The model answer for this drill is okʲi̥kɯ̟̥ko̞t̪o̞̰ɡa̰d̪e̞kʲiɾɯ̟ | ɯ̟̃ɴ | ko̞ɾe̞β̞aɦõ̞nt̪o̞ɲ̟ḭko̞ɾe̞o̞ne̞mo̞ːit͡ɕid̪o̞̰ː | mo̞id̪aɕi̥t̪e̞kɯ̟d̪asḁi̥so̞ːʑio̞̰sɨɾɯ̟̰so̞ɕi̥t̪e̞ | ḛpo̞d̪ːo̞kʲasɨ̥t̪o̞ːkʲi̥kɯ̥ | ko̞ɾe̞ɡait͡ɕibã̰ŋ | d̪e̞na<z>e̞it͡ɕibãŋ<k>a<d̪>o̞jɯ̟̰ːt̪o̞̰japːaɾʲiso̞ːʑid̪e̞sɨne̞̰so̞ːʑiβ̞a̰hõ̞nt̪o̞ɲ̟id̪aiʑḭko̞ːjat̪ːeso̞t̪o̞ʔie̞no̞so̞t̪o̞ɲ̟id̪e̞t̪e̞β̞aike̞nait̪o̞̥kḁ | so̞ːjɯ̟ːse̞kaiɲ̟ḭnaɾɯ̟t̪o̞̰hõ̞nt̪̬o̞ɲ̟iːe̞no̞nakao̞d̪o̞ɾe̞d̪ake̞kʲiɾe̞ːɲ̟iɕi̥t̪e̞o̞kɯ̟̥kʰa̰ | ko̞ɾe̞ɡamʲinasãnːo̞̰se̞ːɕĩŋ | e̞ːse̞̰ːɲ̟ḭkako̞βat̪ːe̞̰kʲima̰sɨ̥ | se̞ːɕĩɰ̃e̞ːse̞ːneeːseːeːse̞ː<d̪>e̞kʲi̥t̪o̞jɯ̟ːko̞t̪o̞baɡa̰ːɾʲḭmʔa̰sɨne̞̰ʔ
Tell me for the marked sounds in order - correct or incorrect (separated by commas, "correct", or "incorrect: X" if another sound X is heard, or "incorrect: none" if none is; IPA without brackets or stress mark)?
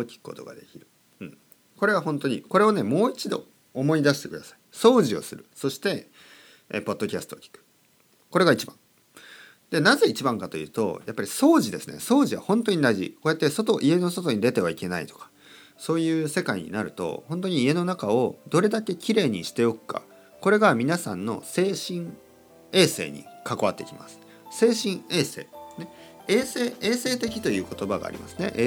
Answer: correct, correct, incorrect: t̪, incorrect: t̪